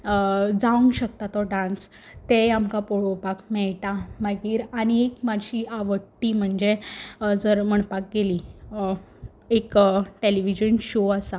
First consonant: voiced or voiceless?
voiced